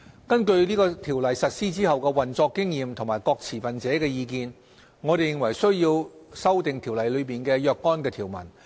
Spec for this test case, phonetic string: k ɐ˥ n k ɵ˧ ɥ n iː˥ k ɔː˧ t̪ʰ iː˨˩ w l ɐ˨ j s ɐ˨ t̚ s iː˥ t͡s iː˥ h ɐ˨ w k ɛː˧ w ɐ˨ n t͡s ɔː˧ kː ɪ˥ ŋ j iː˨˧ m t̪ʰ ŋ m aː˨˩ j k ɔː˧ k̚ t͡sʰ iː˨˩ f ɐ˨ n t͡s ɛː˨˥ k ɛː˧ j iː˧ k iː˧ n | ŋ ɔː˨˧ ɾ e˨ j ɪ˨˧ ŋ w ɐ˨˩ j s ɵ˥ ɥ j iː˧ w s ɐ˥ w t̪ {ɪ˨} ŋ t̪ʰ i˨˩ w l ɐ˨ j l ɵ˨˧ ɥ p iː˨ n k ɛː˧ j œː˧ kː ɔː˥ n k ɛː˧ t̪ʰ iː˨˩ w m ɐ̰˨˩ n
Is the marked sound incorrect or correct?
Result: correct